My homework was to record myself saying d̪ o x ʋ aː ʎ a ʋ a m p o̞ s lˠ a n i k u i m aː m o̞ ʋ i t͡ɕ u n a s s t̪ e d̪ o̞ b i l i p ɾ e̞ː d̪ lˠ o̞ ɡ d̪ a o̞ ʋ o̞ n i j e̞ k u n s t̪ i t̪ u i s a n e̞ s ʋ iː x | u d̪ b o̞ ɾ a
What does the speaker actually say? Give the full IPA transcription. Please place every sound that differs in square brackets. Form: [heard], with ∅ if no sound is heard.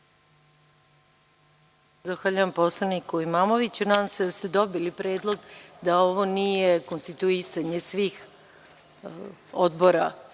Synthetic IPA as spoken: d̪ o x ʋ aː ʎ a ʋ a m p o̞ s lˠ a n i k u i m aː m o̞ ʋ i t͡ɕ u n a s s t̪ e d̪ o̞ b i l i p ɾ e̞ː d̪ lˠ o̞ ɡ d̪ a o̞ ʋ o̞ n i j e̞ k [o] n s t̪ i t̪ u i s a [ɲ] e̞ s ʋ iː x | [o] d̪ b o̞ ɾ a